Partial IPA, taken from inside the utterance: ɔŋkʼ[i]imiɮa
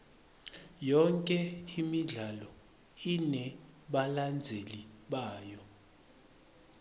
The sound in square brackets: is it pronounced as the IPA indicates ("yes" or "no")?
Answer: no